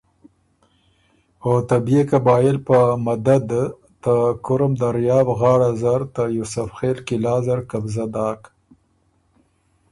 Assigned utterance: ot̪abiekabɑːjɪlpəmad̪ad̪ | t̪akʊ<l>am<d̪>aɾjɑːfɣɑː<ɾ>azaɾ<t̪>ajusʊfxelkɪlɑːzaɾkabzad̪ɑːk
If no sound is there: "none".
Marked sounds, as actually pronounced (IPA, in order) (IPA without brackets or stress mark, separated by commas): ɾ, d̪, ɽ, t̪